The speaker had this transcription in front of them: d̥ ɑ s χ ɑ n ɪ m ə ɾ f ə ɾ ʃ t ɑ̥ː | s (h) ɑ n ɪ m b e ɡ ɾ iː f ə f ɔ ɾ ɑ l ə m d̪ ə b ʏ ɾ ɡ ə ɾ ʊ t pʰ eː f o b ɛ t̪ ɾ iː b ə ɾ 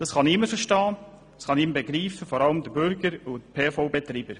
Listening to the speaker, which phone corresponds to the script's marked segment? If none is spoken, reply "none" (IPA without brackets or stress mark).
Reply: χ